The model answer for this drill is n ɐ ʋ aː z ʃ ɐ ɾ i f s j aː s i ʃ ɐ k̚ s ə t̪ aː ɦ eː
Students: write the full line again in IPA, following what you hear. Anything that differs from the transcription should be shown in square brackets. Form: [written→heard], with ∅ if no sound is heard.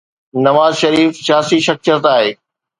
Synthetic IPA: n ɐ ʋ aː z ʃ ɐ ɾ [i→iː] f s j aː s i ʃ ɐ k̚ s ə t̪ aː ɦ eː